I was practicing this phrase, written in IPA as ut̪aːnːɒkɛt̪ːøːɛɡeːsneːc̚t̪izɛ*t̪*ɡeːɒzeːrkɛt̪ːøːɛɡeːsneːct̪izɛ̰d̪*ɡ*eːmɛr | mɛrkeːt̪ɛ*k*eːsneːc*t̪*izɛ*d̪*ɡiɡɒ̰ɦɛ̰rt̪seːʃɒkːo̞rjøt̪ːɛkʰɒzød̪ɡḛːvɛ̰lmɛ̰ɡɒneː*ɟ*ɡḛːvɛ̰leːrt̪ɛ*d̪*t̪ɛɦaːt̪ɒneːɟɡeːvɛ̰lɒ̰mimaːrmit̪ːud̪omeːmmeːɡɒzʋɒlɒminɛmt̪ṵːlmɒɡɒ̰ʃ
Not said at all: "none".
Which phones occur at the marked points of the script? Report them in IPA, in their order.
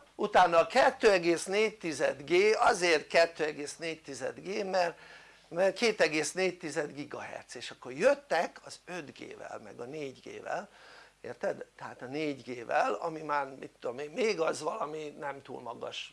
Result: d̪, ɡ, ɡ, t̪, d̪, ɟ, d̪

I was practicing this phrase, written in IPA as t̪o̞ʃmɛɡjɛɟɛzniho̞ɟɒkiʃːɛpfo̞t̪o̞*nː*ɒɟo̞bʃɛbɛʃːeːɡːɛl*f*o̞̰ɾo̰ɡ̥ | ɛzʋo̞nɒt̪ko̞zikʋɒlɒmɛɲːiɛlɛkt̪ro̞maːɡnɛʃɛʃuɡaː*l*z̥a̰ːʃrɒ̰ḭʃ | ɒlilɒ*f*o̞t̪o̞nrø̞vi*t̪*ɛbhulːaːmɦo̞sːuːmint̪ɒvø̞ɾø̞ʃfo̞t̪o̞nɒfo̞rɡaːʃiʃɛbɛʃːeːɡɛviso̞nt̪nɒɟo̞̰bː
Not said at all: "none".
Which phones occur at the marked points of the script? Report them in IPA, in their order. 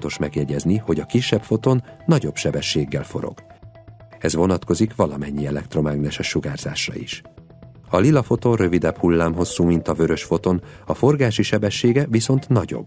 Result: nː, f, r, f, d̪

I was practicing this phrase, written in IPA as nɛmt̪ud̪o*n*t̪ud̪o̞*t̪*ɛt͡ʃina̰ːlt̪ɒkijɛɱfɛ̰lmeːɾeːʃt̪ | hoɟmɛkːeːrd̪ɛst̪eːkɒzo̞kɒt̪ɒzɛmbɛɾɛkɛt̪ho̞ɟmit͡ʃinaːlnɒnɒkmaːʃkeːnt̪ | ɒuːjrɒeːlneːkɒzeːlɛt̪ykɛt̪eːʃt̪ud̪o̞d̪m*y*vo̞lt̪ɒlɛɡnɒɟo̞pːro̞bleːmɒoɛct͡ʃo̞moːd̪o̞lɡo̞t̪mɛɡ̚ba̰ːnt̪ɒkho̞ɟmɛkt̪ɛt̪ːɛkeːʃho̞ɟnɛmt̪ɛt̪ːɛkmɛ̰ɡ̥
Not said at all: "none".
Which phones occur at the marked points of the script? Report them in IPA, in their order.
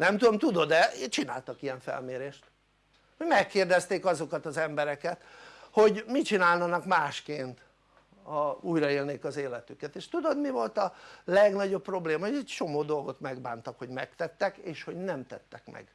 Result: m, d̪, i

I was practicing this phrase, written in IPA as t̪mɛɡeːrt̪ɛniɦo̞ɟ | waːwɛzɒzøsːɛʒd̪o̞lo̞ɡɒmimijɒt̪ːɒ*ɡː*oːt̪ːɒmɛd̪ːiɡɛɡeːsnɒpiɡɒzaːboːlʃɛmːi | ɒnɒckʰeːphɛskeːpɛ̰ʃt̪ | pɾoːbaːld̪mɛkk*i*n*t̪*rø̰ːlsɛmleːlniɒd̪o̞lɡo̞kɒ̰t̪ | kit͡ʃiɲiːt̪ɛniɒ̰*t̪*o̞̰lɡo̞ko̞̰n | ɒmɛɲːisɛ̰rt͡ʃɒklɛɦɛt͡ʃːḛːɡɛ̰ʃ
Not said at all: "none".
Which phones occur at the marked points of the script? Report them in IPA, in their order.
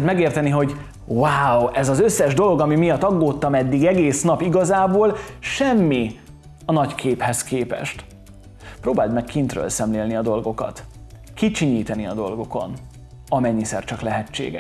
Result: ɡː, i, t̪, d̪

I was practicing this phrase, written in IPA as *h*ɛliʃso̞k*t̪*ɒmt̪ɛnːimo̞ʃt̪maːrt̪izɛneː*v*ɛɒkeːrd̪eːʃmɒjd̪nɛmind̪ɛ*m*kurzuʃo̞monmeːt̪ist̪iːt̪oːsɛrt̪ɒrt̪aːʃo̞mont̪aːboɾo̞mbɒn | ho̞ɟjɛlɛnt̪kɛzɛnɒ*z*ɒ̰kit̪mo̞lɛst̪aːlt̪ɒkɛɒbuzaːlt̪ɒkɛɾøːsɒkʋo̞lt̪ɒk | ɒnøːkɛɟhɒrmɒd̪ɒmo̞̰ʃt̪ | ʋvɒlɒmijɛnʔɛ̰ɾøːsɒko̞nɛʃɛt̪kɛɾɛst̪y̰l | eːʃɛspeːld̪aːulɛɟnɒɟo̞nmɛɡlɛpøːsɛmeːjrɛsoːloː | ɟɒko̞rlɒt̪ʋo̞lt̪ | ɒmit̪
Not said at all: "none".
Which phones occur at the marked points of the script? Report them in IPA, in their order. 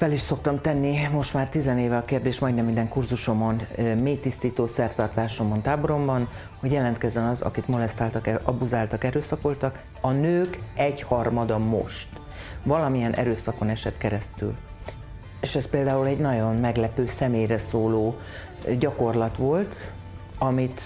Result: f, t̪, v, ŋ, z

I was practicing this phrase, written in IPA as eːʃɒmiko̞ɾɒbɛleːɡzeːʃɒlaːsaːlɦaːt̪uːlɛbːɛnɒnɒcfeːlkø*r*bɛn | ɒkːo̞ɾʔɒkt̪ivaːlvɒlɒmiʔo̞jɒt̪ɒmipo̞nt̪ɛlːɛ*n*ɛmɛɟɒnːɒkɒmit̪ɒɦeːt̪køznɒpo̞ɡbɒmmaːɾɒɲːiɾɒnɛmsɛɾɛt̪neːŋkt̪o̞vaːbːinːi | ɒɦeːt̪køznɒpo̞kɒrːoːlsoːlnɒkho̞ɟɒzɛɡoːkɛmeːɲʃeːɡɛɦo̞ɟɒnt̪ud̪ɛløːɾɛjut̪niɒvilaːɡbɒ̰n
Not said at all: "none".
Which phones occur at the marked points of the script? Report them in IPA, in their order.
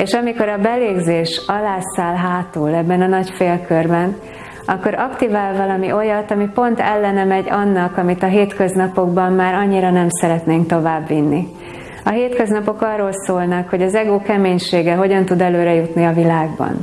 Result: r, n

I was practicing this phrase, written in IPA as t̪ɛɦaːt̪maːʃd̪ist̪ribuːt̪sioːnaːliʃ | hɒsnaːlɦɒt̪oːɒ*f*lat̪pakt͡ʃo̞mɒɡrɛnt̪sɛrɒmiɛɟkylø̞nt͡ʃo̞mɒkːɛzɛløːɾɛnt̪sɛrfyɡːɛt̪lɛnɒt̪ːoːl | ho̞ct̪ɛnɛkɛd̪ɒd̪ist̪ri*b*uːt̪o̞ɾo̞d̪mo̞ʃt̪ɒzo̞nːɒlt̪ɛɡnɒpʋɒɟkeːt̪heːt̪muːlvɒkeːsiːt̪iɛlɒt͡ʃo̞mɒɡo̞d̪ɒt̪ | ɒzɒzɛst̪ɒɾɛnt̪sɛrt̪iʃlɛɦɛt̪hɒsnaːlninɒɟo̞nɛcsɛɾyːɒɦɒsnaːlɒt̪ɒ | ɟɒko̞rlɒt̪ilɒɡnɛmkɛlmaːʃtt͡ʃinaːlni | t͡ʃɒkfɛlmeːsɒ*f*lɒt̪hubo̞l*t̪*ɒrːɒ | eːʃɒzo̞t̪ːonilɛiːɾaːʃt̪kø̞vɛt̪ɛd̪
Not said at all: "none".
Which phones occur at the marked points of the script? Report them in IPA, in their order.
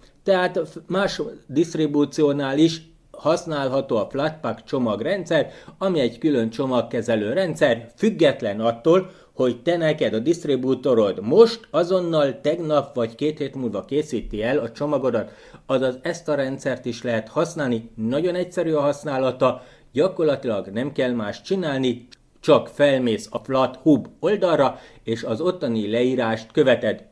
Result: f, b, f, d̪

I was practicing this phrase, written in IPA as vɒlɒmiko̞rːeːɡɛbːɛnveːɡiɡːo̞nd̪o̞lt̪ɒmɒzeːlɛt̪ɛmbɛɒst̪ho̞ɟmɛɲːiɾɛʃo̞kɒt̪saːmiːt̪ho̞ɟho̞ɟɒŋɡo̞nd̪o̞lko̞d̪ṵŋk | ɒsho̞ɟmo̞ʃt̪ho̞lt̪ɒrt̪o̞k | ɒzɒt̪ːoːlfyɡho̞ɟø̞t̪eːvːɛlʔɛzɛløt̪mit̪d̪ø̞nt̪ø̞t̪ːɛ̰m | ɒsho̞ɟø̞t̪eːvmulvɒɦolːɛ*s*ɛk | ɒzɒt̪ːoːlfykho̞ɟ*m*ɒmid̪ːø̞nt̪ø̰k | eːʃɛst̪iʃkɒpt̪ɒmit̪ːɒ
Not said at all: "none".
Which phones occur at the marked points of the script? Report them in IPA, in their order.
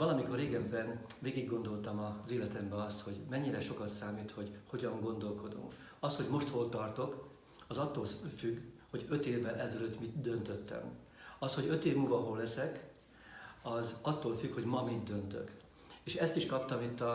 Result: s, m

